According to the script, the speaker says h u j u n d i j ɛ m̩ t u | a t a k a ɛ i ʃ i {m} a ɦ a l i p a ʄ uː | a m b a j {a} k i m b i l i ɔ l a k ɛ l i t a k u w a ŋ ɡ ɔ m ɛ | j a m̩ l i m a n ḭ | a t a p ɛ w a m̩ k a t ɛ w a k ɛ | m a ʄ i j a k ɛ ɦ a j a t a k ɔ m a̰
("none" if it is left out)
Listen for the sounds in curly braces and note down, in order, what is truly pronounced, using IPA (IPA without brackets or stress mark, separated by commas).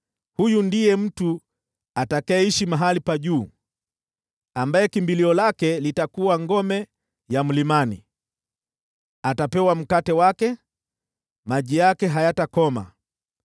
m, ɛ